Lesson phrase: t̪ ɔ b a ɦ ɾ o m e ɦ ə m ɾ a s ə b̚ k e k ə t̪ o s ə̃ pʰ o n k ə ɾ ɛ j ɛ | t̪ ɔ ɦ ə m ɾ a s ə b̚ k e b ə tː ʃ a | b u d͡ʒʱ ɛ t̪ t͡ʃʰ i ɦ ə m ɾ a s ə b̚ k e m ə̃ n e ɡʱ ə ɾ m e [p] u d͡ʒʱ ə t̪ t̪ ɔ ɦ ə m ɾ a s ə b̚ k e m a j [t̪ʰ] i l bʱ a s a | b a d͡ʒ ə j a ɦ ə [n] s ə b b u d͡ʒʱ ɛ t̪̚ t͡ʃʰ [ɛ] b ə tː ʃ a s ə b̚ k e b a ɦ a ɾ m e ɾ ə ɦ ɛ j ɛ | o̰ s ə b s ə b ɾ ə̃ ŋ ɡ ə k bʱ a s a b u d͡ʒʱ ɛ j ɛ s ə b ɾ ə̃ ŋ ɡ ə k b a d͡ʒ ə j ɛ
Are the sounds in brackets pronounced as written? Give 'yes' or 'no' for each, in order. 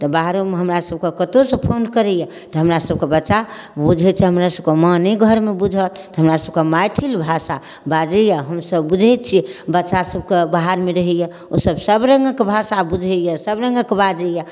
no, yes, no, no

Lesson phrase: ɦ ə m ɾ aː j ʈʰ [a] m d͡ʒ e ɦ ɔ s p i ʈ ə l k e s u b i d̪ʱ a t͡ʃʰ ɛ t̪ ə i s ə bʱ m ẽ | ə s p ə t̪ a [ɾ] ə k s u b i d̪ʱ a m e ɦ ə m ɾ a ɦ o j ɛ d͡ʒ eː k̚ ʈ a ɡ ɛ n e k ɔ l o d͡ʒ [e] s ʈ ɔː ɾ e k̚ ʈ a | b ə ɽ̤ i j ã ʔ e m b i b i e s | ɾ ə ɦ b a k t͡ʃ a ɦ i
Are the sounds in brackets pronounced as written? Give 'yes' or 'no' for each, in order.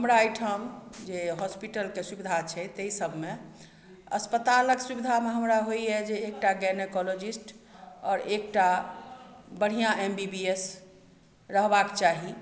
no, no, no

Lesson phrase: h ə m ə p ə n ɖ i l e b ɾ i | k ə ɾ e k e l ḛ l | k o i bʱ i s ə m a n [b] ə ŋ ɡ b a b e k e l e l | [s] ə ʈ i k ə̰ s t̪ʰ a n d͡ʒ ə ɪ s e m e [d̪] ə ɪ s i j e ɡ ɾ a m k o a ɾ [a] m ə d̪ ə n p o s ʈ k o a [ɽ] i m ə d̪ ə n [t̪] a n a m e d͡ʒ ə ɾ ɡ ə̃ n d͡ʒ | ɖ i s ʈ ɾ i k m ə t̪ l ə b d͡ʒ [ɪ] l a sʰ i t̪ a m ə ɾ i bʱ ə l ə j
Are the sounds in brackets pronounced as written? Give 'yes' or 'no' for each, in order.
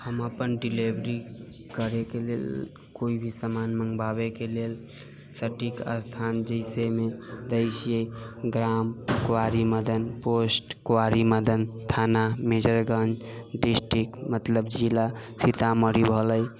no, yes, yes, no, no, no, no

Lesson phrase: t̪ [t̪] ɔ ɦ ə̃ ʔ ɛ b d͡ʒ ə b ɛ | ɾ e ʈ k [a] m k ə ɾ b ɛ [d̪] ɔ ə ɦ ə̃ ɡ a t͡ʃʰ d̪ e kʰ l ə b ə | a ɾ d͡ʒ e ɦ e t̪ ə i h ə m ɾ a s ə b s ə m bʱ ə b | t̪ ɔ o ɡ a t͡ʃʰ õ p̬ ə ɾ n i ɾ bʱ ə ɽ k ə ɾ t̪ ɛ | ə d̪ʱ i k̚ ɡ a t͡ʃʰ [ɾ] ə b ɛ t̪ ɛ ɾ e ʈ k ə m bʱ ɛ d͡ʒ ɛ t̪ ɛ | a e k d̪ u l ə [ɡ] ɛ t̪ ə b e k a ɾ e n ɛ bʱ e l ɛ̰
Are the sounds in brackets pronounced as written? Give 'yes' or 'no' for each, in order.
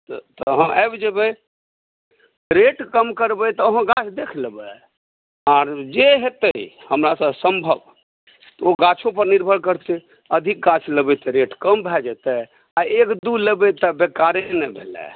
yes, no, no, no, no

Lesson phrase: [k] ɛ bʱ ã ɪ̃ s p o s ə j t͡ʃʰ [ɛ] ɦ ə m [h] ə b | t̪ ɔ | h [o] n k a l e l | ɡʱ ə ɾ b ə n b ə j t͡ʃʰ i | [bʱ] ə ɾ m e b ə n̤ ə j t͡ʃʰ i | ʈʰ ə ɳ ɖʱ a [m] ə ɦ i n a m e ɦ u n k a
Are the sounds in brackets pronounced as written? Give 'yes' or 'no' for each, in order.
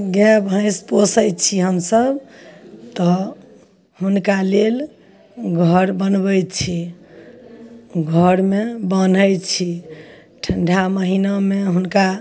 no, no, no, no, no, yes

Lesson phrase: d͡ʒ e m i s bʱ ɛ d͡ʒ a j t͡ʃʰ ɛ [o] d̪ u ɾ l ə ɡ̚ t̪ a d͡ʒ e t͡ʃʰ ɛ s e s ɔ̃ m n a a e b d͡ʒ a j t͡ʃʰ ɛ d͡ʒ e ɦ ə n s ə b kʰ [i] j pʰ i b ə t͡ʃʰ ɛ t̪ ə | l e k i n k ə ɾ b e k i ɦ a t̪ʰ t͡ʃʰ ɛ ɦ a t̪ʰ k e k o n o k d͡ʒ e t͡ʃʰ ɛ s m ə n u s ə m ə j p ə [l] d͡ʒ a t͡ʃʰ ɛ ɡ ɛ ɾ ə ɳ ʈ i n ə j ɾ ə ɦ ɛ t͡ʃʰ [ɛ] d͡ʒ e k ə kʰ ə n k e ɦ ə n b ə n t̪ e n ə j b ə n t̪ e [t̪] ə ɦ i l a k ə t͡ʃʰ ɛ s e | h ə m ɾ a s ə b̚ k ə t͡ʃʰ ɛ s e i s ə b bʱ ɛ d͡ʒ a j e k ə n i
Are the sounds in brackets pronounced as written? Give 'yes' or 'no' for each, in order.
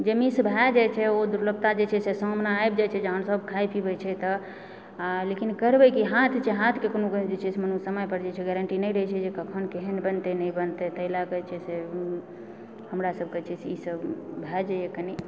yes, no, no, yes, yes

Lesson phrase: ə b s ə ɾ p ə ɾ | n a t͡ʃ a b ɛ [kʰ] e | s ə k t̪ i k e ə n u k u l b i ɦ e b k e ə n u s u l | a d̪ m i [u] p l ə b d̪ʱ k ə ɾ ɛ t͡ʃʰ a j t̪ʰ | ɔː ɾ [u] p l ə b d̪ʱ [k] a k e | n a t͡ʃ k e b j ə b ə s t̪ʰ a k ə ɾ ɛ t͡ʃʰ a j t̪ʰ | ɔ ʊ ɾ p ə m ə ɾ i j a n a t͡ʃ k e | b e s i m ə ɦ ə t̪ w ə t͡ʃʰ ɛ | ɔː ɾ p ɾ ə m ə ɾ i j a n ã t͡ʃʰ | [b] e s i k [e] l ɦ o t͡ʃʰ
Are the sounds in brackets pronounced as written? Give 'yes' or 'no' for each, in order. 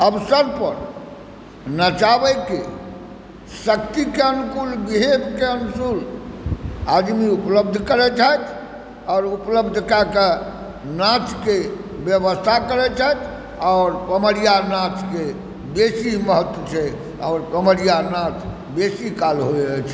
no, yes, yes, yes, yes, no

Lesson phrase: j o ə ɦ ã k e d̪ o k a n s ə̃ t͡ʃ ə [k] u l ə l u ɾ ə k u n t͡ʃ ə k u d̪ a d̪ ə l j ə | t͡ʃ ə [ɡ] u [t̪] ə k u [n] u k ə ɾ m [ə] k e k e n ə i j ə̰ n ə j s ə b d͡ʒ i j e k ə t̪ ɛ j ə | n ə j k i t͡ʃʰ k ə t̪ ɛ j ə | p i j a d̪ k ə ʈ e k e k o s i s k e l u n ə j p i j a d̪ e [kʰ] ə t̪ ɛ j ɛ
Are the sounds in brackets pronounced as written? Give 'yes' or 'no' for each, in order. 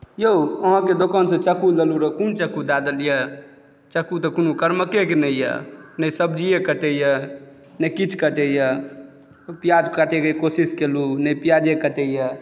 yes, no, yes, yes, yes, no

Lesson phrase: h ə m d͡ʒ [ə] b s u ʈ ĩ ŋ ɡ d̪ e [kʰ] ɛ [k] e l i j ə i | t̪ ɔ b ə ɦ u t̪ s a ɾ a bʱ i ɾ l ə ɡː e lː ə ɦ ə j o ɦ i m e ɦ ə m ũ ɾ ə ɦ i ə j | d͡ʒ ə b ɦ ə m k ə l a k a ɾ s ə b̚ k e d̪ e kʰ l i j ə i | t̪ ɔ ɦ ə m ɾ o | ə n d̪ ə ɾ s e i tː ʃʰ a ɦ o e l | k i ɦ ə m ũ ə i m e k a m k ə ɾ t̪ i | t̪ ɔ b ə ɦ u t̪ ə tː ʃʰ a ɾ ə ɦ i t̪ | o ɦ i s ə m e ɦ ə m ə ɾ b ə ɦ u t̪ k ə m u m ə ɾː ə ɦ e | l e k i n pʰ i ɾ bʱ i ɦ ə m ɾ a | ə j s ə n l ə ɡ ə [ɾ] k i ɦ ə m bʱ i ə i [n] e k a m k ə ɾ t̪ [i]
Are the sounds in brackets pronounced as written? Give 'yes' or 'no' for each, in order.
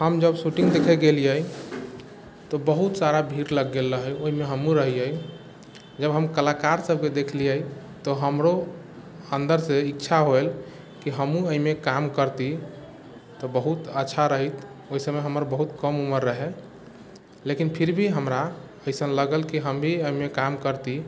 yes, yes, no, no, no, yes

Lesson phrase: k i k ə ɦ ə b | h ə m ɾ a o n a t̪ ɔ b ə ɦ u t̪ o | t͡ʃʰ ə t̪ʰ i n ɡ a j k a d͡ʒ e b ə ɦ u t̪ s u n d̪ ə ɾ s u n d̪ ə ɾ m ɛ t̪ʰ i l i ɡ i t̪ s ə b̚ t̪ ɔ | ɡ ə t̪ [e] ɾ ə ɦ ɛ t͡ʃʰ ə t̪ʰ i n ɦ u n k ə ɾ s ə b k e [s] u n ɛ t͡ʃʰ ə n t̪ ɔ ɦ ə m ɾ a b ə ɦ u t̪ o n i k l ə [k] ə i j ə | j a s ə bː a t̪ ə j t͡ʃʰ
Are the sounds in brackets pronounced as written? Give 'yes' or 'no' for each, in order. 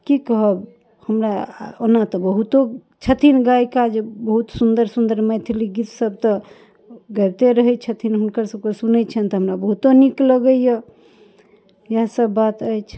yes, yes, no

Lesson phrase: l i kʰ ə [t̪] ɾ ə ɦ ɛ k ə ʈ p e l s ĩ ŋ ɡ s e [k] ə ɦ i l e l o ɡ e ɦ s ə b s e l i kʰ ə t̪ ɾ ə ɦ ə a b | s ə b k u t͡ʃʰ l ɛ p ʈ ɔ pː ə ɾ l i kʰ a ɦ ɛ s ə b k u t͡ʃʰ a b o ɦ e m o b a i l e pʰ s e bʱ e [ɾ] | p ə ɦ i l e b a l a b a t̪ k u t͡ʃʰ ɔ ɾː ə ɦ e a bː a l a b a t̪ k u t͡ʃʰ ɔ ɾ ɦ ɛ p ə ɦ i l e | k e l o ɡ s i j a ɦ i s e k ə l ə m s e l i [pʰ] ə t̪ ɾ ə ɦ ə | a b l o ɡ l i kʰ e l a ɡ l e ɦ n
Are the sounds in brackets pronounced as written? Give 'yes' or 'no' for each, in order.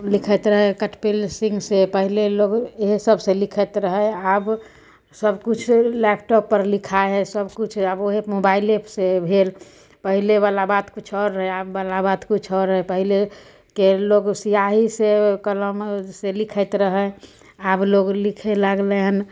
yes, no, no, no

